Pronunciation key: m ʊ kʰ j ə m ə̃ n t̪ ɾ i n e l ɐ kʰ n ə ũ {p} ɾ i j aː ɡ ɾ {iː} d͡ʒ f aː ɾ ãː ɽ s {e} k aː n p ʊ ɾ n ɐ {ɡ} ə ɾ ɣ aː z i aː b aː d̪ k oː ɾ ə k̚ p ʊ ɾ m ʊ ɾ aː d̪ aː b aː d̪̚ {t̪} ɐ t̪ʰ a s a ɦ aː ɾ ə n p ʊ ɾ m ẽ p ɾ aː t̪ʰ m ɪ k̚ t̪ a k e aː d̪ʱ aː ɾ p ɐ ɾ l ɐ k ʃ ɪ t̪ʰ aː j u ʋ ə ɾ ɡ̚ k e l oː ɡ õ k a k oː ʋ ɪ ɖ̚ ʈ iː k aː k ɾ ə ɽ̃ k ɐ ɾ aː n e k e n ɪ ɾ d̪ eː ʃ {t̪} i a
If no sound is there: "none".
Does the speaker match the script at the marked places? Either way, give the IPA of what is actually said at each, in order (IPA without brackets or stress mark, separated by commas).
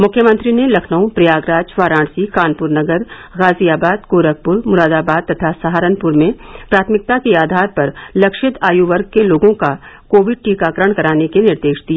p, aː, i, ɡ, t̪, d̪